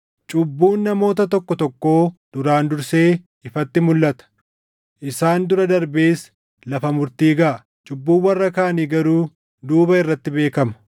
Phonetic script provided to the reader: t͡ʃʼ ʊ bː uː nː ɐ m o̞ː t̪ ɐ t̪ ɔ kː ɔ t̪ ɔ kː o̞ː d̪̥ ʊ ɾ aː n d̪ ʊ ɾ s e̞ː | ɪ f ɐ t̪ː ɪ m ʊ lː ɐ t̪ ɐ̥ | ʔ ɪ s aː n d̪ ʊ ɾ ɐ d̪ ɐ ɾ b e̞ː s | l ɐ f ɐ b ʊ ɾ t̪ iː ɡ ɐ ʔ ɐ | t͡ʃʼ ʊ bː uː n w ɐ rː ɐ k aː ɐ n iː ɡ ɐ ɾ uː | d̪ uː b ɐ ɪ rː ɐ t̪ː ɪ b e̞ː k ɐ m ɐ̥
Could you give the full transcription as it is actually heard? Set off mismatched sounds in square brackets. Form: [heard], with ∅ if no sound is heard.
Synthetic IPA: t͡ʃʼ ʊ bː uː nː ɐ m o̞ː t̪ ɐ t̪ ɔ kː ɔ t̪ ɔ kː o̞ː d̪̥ ʊ ɾ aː n d̪ ʊ ɾ s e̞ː | ɪ f ɐ t̪ː ɪ m ʊ lː ɐ t̪ ɐ̥ | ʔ ɪ s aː n d̪ ʊ ɾ ɐ d̪ ɐ ɾ b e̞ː s | l ɐ f ɐ [m] ʊ ɾ t̪ iː ɡ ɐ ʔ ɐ | t͡ʃʼ ʊ bː uː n w ɐ rː ɐ k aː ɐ n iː ɡ ɐ ɾ uː | d̪ uː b ɐ ɪ rː ɐ t̪ː ɪ b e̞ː k ɐ m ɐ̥

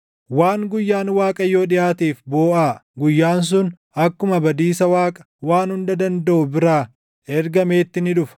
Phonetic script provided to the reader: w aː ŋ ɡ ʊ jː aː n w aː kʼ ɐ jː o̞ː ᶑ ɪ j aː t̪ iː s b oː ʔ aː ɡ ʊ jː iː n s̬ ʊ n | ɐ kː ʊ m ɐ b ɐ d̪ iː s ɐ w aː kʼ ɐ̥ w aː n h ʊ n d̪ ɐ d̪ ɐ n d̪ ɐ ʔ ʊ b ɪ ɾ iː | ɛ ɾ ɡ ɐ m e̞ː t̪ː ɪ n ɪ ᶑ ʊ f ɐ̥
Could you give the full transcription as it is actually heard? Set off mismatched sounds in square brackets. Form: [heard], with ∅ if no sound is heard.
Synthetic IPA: w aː ŋ ɡ ʊ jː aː n w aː kʼ ɐ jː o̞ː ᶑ ɪ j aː t̪ iː [f] b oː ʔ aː ɡ ʊ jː [aː] n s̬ ʊ n | ɐ kː ʊ m ɐ b ɐ d̪ iː s ɐ w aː kʼ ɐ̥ w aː n h ʊ n d̪ ɐ d̪ ɐ n d̪ ɐ ʔ ʊ b ɪ ɾ [aː] | ɛ ɾ ɡ ɐ m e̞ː t̪ː ɪ n ɪ ᶑ ʊ f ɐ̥

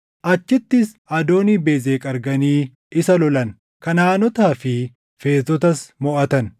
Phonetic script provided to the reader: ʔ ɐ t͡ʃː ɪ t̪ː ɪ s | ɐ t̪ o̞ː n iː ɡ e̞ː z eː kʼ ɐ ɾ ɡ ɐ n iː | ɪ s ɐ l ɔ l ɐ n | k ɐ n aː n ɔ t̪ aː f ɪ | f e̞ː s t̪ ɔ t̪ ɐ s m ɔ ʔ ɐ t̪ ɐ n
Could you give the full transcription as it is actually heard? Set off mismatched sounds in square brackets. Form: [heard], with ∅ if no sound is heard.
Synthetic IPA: ʔ ɐ t͡ʃː ɪ t̪ː ɪ s | ɐ [d̪] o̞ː n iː [b] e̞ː z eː kʼ ɐ ɾ ɡ ɐ n iː | ɪ s ɐ l ɔ l ɐ n | k ɐ n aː n ɔ t̪ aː f ɪ | f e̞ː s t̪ ɔ t̪ ɐ s m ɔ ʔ ɐ t̪ ɐ n

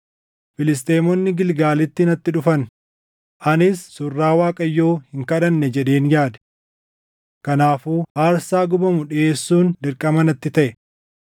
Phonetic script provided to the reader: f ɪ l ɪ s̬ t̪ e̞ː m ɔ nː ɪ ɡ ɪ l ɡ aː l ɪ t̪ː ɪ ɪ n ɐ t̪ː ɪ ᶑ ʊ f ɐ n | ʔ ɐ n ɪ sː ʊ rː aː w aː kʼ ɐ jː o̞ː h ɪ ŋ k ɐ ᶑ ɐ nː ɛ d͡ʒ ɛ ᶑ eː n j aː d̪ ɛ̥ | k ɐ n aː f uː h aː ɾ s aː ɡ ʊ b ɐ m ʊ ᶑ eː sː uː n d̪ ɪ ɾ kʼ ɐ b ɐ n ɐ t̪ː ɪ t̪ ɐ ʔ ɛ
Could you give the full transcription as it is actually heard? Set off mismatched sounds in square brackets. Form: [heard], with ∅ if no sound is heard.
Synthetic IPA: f ɪ l ɪ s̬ t̪ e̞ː m ɔ nː ɪ ɡ ɪ l ɡ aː l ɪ t̪ː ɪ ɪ n ɐ t̪ː ɪ ᶑ ʊ f ɐ n | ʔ ɐ n ɪ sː ʊ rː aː w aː kʼ ɐ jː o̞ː h ɪ ŋ k ɐ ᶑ ɐ nː ɛ d͡ʒ ɛ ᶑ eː n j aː d̪ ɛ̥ | k ɐ n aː f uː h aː ɾ s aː ɡ ʊ b ɐ m ʊ ᶑ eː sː uː n d̪ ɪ ɾ kʼ ɐ [m] ɐ n ɐ t̪ː ɪ t̪ ɐ ʔ ɛ

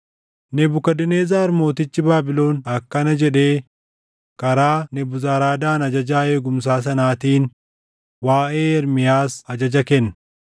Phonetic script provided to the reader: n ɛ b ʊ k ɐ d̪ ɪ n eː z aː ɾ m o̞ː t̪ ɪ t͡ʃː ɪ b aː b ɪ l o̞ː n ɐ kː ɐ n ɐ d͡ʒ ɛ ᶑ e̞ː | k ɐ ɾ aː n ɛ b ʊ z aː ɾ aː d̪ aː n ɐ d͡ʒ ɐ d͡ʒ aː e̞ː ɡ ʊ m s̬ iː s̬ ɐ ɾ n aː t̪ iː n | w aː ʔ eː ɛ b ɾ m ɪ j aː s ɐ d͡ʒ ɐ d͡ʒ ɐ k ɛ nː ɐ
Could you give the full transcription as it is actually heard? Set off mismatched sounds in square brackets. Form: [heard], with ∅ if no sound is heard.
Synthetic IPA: n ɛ b ʊ k ɐ d̪ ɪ n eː z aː ɾ m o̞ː t̪ ɪ t͡ʃː ɪ b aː b ɪ l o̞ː n ɐ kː ɐ n ɐ d͡ʒ ɛ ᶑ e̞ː | k ɐ ɾ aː n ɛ b ʊ z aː ɾ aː d̪ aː n ɐ d͡ʒ ɐ d͡ʒ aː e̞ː ɡ ʊ m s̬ [aː] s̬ ɐ [∅] n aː t̪ iː n | w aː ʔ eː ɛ [∅] ɾ m ɪ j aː s ɐ d͡ʒ ɐ d͡ʒ ɐ k ɛ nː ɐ

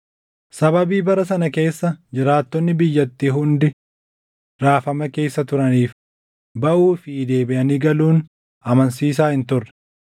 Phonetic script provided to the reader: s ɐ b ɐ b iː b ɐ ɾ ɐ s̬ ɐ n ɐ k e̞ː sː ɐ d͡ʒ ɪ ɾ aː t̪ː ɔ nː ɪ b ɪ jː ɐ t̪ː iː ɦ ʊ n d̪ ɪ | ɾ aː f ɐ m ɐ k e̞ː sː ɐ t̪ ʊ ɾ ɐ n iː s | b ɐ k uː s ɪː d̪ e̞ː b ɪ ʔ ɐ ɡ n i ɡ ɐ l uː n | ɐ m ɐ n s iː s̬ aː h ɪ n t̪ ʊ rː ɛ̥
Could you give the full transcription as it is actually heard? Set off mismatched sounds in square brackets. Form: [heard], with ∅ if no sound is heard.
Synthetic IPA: s ɐ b ɐ b iː b ɐ ɾ ɐ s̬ ɐ n ɐ k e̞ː sː ɐ d͡ʒ ɪ ɾ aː t̪ː ɔ nː ɪ b ɪ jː ɐ t̪ː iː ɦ ʊ n d̪ ɪ | ɾ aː f ɐ m ɐ k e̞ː sː ɐ t̪ ʊ ɾ ɐ n iː [f] | b ɐ [ʔ] uː [f] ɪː d̪ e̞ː b ɪ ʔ ɐ [∅] n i ɡ ɐ l uː n | ɐ m ɐ n s iː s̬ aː h ɪ n t̪ ʊ rː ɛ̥

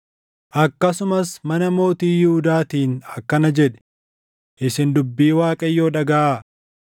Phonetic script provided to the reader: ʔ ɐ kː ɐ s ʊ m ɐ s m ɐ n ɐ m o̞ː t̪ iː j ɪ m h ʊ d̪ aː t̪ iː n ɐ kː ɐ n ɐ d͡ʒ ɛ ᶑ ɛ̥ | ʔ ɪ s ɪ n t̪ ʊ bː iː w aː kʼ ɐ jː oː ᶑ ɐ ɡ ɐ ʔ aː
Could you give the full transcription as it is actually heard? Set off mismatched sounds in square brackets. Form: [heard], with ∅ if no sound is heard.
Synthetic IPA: ʔ ɐ kː ɐ s ʊ m ɐ s m ɐ n ɐ m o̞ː t̪ iː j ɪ [∅] h ʊ d̪ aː t̪ iː n ɐ kː ɐ n ɐ d͡ʒ ɛ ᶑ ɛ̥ | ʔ ɪ s ɪ n [d̪] ʊ bː iː w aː kʼ ɐ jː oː ᶑ ɐ ɡ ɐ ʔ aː

